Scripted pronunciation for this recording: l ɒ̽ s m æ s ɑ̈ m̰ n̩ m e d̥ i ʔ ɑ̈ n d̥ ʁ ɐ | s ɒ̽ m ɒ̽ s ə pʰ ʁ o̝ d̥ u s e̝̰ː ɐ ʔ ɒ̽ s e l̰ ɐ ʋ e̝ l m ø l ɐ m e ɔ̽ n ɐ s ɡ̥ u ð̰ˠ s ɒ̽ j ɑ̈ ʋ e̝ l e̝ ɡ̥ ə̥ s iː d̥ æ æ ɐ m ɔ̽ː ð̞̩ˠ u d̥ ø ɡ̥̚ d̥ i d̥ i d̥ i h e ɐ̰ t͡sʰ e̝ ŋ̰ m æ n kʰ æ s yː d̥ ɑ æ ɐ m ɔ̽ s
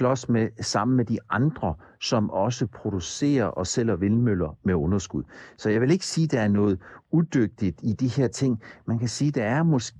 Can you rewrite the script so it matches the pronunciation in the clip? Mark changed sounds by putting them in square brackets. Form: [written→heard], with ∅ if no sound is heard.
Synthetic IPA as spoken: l ɒ̽ s m [æ→e] s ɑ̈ m̰ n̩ m e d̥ i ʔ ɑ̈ n d̥ ʁ ɐ | s ɒ̽ m ɒ̽ s ə pʰ ʁ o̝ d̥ u s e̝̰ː ɐ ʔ ɒ̽ s e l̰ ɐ ʋ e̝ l m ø l ɐ m e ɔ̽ n ɐ s ɡ̥ u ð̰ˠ s ɒ̽ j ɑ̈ ʋ e̝ l e̝ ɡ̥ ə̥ s iː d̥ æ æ ɐ [m→n] ɔ̽ː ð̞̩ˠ u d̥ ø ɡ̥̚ d̥ i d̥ i d̥ i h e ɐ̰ t͡sʰ e̝ ŋ̰ m æ n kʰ æ s [yː→iː] d̥ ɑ æ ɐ m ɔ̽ s